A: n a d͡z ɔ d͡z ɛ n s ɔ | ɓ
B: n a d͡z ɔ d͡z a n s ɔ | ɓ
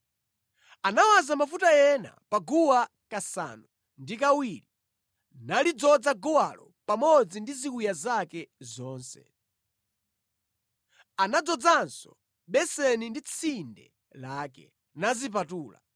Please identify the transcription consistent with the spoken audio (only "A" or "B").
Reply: B